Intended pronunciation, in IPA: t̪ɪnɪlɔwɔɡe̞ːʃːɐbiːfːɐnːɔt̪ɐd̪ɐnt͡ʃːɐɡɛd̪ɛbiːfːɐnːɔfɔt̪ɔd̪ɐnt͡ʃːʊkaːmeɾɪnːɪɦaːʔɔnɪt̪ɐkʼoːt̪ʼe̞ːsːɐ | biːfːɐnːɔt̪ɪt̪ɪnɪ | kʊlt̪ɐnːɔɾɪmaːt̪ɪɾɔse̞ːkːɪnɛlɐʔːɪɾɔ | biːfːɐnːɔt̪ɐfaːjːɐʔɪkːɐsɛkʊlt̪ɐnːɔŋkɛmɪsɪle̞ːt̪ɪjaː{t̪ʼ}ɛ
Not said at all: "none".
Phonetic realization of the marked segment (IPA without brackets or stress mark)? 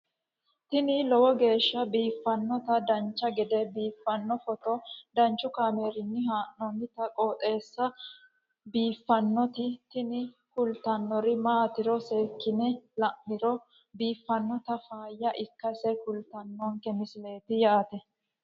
t̪